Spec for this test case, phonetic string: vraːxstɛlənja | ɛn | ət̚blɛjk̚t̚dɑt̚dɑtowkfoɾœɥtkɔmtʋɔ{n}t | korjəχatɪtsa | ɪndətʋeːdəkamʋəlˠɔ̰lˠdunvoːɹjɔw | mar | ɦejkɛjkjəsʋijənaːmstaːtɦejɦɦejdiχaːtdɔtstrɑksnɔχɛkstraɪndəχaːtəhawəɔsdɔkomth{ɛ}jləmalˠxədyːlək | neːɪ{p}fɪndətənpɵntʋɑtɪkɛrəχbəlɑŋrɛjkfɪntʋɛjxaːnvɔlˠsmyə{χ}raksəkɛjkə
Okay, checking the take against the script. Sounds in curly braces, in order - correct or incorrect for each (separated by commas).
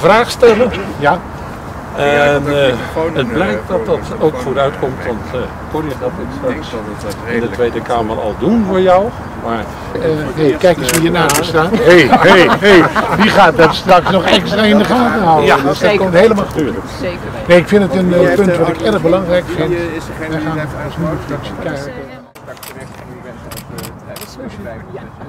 correct, incorrect, incorrect, incorrect